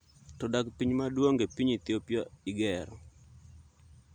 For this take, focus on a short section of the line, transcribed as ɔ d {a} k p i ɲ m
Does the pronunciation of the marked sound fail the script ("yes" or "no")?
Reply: no